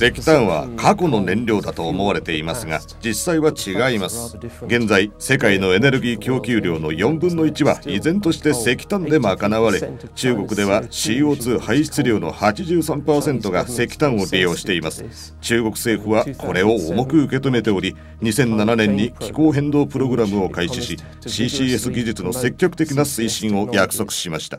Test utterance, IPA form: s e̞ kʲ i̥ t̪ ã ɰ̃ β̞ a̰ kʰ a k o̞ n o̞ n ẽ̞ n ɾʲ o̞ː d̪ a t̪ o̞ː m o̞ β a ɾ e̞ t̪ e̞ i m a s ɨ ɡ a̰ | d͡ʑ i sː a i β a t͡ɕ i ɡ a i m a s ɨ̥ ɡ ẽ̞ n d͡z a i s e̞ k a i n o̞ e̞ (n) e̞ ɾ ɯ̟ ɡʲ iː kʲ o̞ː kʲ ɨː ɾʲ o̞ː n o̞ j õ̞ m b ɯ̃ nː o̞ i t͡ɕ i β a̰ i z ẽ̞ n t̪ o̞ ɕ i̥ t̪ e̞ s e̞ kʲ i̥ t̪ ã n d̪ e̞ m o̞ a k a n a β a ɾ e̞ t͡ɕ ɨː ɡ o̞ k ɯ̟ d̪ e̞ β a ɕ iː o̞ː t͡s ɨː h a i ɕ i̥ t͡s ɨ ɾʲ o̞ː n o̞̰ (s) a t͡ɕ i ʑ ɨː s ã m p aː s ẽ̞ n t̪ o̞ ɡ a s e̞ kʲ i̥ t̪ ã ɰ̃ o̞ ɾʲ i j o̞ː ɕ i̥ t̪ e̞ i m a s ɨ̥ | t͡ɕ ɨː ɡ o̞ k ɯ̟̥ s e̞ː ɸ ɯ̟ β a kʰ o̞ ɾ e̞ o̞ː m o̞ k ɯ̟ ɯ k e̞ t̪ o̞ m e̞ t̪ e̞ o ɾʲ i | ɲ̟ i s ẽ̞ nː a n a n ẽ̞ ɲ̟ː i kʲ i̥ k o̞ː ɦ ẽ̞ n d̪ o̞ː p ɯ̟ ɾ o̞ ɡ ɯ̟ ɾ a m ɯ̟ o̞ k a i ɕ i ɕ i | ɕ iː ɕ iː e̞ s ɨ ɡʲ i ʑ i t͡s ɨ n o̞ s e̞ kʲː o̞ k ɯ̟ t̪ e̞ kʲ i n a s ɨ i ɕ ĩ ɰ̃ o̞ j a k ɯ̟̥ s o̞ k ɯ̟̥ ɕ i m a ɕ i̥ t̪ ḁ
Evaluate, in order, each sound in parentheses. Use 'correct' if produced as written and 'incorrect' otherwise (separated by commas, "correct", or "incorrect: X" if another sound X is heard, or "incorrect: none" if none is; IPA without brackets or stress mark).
correct, incorrect: h